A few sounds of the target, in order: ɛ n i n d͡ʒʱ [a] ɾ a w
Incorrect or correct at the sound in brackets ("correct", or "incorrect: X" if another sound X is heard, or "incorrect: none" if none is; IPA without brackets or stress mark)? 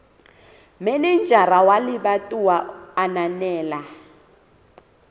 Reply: correct